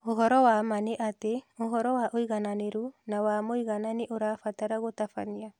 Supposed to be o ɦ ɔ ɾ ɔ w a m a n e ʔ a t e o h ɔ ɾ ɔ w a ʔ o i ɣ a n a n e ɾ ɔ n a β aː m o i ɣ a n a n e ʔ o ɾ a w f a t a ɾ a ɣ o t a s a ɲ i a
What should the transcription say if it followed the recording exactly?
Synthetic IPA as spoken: o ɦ ɔ ɾ ɔ w a m a n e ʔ a t e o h ɔ ɾ ɔ w a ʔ o i ɣ a n a n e ɾ u n a w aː m o i ɣ a n a n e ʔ o ɾ a f a t a ɾ a ɣ o t a f a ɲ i a